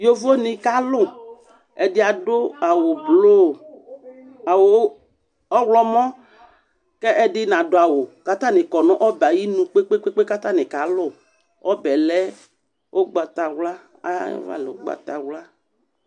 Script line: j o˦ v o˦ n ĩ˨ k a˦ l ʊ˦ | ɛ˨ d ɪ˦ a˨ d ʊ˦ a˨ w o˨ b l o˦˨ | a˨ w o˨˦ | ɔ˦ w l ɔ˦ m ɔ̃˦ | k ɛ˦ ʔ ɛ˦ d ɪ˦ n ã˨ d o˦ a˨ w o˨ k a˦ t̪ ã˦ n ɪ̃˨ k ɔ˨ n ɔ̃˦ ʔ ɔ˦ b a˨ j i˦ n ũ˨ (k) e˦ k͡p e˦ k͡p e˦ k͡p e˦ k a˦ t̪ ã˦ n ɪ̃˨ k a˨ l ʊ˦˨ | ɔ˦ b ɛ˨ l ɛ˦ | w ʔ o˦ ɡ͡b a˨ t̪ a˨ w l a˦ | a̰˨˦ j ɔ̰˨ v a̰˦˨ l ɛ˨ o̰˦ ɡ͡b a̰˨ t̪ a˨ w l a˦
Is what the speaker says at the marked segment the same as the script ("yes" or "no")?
no